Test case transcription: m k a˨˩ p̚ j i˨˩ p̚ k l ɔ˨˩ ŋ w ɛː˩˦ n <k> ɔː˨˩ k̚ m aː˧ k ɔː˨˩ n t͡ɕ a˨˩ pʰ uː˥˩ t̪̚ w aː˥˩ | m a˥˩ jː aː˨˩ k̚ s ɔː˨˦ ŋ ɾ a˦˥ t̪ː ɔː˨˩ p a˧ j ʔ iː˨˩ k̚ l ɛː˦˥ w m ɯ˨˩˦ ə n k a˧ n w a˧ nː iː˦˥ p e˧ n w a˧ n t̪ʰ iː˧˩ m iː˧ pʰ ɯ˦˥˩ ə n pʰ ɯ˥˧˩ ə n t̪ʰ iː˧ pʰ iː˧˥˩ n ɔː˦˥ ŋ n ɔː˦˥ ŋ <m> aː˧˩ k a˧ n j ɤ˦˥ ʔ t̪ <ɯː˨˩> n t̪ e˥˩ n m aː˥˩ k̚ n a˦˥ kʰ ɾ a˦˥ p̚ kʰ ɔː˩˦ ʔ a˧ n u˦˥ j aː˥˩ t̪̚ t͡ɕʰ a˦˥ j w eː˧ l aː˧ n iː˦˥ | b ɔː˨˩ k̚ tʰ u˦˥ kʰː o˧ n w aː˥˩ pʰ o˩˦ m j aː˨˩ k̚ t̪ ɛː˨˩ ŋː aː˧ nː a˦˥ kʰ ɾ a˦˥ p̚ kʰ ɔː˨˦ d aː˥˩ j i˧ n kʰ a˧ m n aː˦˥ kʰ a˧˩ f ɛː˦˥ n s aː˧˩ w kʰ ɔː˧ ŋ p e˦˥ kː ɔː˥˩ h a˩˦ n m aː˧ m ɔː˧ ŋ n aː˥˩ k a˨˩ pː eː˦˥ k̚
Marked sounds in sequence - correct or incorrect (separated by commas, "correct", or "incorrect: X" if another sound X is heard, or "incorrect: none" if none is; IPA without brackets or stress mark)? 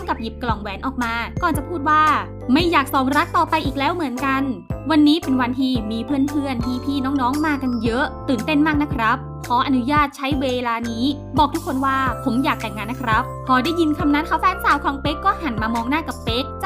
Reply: incorrect: ʔ, correct, correct